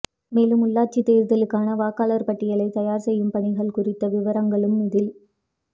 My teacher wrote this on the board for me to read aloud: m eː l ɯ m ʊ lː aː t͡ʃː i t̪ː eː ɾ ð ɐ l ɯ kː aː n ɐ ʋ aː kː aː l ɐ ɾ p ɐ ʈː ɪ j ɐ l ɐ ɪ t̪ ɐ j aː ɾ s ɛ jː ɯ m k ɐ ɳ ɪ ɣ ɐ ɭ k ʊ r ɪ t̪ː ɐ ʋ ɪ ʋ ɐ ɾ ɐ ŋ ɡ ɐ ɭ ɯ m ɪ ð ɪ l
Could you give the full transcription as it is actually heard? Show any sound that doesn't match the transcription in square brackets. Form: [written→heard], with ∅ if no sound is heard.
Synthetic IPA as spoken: m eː l ɯ m ʊ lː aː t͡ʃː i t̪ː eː ɾ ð ɐ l ɯ kː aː n ɐ ʋ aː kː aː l ɐ ɾ p ɐ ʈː ɪ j ɐ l ɐ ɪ t̪ ɐ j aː ɾ s ɛ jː ɯ m [k→p] ɐ ɳ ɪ ɣ ɐ ɭ k ʊ r ɪ t̪ː ɐ ʋ ɪ ʋ ɐ ɾ ɐ ŋ ɡ ɐ ɭ ɯ m ɪ ð ɪ l